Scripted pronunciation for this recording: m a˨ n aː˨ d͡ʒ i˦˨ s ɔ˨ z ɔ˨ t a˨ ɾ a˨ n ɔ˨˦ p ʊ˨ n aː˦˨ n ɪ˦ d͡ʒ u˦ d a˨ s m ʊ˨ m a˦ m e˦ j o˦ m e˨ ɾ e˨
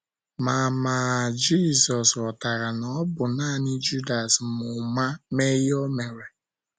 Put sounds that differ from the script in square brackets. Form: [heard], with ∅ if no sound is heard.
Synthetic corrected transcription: m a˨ [m] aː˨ d͡ʒ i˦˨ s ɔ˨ [s] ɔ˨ t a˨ ɾ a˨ n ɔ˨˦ [b] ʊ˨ n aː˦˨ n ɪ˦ d͡ʒ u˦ d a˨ s m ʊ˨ m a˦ m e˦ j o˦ m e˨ ɾ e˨